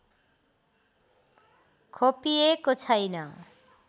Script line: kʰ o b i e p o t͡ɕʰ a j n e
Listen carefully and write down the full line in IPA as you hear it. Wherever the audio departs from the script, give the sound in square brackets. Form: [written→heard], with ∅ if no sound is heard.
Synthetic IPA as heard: kʰ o [b→p] i e [p→k] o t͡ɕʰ a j n [e→a]